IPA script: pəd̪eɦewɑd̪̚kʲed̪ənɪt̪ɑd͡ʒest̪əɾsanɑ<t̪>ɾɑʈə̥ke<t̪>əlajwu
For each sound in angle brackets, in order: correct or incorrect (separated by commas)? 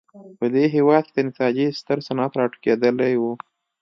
correct, incorrect